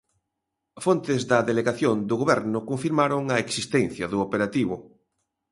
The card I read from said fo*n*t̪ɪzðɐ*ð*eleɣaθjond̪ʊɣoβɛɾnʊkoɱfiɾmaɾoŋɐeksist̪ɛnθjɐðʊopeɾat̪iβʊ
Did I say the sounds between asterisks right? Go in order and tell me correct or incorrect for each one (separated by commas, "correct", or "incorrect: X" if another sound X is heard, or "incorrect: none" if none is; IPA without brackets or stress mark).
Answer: correct, correct